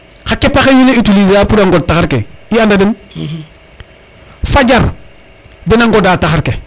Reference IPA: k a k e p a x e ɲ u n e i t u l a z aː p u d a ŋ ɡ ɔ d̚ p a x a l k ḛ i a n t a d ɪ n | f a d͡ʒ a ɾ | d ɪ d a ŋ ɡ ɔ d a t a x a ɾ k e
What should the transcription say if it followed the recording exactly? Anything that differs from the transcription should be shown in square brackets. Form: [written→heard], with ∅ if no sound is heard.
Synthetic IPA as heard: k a k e p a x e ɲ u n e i t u l [a→i] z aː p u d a ŋ ɡ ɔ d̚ [p→t] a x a [l→ɾ] k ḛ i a n [t→d] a d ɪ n | f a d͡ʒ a ɾ | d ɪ [d→n] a ŋ ɡ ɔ d a t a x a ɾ k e